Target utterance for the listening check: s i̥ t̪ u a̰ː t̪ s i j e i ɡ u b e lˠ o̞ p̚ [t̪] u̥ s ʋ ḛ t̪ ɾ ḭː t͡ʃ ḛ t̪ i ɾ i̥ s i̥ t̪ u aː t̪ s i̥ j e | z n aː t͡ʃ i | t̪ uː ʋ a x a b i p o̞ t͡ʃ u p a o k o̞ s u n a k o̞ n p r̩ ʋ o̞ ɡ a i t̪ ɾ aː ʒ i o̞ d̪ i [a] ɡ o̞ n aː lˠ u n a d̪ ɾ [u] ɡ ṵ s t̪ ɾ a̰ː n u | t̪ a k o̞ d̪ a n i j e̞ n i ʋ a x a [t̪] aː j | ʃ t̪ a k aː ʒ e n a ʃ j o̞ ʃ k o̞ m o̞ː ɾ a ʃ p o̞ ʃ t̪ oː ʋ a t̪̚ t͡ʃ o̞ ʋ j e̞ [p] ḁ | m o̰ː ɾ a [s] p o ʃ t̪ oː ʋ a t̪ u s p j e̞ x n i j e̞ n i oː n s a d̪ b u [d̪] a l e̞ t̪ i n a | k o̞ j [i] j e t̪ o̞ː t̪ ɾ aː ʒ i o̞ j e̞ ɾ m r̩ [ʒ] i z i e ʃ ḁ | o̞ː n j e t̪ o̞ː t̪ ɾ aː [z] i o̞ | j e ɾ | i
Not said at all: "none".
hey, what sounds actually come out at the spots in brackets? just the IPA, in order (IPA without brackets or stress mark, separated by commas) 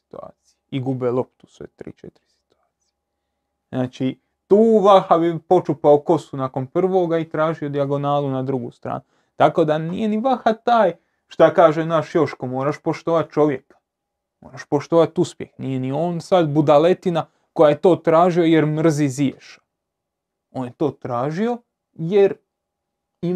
t̪, a, u, t̪, k, ʃ, d̪, a, z, ʒ